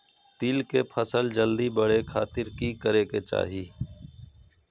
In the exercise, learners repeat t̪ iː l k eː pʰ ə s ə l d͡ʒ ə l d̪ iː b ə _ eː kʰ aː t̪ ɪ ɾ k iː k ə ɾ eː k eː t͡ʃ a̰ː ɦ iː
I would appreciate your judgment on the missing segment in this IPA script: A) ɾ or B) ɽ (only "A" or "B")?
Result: B